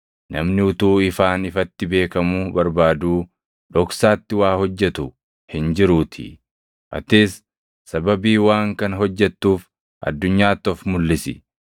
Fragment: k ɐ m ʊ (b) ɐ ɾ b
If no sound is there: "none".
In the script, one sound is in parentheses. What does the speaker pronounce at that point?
b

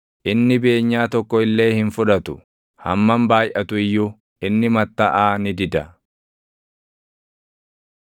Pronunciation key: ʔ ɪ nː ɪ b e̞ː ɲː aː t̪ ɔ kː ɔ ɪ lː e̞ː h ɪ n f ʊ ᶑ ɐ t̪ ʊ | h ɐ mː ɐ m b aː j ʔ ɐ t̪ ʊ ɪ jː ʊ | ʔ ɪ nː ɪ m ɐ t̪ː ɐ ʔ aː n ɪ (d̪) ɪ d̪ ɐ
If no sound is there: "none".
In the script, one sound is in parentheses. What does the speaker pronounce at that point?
d̪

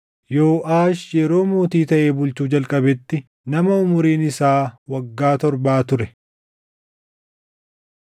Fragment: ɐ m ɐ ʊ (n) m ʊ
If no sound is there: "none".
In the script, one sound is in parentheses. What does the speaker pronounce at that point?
none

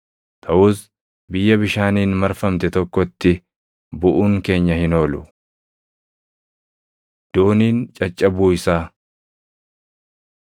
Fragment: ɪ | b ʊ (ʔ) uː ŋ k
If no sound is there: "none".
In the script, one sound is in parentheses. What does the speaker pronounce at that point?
ʔ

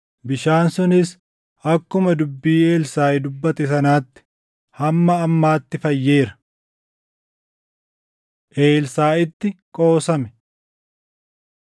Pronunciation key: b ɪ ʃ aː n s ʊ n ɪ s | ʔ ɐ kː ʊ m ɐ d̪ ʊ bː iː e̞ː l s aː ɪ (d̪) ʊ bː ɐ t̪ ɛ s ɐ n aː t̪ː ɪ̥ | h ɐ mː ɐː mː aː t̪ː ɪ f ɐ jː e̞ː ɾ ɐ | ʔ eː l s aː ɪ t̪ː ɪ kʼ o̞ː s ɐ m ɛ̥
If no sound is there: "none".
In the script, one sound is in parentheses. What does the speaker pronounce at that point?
d̪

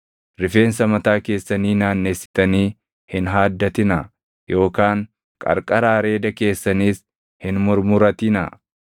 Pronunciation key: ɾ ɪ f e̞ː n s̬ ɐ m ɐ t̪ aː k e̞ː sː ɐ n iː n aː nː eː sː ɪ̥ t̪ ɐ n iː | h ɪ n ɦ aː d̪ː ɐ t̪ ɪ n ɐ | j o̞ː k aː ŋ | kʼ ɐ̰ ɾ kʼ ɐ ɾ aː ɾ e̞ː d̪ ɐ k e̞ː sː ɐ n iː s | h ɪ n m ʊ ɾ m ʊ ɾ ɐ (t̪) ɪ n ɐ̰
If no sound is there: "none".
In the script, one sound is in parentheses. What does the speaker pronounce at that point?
t̪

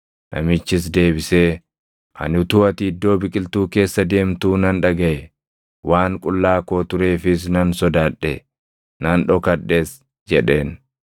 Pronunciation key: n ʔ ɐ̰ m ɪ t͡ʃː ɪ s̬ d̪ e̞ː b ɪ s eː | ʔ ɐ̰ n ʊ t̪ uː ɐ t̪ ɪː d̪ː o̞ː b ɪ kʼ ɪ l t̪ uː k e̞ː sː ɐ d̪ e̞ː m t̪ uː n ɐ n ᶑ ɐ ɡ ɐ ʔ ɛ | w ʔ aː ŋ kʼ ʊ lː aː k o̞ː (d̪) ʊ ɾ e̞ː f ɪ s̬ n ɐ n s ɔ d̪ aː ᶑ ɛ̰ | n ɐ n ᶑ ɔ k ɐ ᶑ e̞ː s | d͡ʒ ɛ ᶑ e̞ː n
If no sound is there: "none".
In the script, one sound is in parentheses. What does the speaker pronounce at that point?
t̪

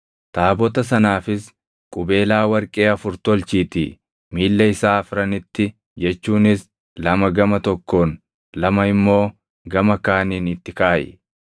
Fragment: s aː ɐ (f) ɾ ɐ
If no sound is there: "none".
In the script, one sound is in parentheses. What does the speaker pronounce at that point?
f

